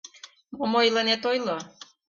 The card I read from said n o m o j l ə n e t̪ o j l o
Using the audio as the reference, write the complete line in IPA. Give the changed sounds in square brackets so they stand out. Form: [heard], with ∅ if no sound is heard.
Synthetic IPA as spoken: [m] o m o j l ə n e t̪ o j l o